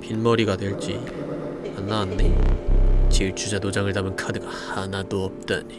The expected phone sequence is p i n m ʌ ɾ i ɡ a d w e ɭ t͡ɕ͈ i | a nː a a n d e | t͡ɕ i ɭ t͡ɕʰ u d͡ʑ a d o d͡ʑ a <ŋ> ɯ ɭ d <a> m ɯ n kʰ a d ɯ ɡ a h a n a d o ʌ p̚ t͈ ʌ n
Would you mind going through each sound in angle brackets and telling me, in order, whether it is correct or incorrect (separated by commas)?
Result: correct, correct